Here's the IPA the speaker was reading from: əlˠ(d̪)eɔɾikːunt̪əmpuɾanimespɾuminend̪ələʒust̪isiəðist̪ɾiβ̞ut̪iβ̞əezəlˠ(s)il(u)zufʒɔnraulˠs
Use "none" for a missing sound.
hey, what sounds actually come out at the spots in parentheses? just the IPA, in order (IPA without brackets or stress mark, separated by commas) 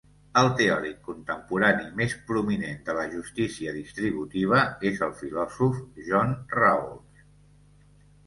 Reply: t̪, f, ɔ